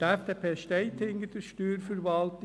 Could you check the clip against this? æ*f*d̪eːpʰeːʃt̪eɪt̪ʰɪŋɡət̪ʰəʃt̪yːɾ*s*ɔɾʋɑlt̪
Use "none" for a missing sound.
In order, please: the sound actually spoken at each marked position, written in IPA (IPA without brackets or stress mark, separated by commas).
f, f